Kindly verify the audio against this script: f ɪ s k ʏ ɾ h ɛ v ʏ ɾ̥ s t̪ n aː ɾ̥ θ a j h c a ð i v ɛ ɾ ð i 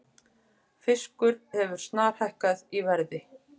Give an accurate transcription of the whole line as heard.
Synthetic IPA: f ɪ s k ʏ ɾ h ɛ v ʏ ɾ̥ s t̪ n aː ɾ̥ h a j h k a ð i v ɛ ɾ ð ɪ